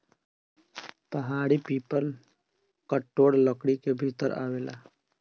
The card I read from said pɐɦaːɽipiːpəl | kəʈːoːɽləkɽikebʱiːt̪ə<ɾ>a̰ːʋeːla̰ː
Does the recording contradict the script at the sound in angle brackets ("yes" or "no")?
no